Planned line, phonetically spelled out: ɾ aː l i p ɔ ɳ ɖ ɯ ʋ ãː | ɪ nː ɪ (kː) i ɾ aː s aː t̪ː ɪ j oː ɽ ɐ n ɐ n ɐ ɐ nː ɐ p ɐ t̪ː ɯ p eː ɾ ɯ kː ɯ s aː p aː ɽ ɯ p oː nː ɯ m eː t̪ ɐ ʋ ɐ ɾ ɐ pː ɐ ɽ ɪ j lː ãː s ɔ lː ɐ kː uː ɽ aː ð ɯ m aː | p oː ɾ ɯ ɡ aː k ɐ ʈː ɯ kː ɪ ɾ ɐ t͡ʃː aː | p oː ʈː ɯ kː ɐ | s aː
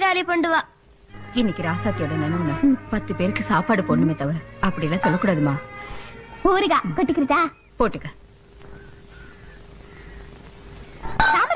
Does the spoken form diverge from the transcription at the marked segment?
no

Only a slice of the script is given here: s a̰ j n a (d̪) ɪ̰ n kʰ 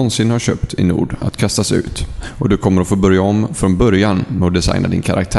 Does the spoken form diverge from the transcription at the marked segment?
no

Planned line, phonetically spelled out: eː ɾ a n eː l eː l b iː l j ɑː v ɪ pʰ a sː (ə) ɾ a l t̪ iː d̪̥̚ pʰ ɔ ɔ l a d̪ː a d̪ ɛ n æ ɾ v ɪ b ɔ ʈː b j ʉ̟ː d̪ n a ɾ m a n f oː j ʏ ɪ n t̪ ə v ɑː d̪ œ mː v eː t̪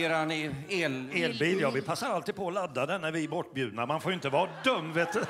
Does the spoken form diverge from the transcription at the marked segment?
yes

